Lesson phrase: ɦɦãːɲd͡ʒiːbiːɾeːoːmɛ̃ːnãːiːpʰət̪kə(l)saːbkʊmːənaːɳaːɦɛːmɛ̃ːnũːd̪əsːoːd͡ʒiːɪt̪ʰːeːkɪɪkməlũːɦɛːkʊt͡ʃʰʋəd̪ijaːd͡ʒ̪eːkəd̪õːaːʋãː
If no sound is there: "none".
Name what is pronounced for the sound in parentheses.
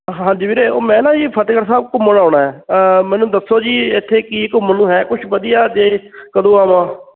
ɾ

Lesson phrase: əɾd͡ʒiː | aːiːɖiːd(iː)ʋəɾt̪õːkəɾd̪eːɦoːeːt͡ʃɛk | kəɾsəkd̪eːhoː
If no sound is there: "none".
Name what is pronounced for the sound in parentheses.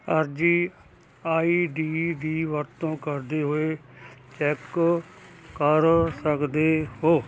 iː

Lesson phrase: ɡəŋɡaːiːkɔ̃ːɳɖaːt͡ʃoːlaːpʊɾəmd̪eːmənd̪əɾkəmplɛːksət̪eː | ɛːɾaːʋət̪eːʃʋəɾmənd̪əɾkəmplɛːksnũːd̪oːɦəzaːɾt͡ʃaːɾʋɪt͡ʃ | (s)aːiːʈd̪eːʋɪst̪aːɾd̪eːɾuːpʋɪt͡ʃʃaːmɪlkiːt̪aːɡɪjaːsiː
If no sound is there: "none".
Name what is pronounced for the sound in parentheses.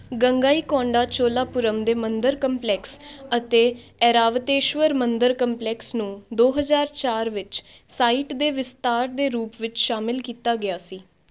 s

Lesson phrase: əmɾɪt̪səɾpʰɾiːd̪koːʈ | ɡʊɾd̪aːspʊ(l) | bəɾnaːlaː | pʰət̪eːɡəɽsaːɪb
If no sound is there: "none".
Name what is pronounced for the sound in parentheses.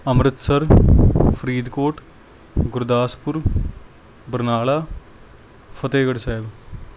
ɾ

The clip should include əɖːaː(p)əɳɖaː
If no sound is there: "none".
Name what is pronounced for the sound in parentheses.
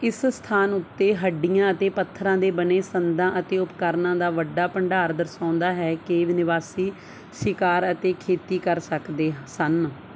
p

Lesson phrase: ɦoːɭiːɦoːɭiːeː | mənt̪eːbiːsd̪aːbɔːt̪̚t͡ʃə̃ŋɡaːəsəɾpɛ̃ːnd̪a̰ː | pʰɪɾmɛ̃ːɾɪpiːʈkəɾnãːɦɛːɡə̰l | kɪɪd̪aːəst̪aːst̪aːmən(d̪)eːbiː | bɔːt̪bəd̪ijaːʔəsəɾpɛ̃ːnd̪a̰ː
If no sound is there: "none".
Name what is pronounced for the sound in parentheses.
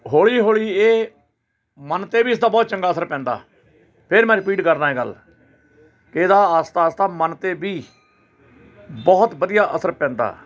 t̪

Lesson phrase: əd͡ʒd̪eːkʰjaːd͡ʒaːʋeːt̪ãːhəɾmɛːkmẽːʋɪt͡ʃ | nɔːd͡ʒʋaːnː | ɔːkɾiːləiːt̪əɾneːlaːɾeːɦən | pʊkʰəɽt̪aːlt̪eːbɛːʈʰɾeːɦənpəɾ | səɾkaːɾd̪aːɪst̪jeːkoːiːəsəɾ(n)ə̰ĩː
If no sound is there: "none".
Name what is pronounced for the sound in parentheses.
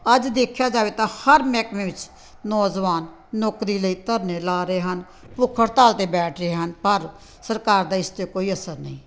n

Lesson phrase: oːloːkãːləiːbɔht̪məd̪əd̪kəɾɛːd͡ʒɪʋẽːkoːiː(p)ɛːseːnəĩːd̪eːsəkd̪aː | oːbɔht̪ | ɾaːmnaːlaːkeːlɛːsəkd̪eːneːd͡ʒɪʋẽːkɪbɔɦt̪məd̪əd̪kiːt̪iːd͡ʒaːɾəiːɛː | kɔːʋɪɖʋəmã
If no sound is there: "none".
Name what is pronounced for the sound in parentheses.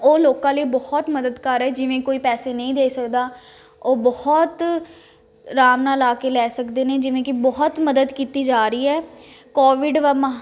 p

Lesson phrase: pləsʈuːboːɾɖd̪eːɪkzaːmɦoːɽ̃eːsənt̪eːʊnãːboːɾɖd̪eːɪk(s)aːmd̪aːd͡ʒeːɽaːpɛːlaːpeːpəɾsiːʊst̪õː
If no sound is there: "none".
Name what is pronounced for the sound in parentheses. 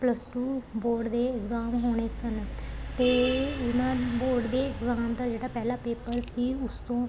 z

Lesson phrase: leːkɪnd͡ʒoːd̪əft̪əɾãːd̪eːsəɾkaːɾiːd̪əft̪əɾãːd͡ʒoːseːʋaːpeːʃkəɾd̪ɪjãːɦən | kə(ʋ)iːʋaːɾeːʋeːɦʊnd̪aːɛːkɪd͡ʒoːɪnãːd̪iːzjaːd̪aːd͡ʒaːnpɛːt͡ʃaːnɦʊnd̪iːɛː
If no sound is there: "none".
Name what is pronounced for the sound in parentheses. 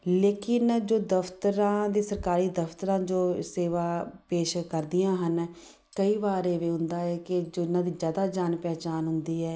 none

